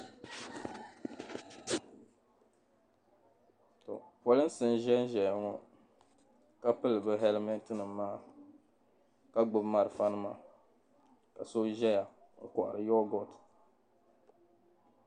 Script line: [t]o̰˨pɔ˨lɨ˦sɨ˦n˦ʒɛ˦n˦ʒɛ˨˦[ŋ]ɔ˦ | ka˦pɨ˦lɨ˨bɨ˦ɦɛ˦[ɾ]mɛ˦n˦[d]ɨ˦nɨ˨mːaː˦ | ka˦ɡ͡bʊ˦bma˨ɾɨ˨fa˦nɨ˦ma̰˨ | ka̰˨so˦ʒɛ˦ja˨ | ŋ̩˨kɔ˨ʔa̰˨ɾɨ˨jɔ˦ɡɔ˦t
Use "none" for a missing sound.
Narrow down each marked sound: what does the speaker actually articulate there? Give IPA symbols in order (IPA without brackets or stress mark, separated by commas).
t, ŋ, l, t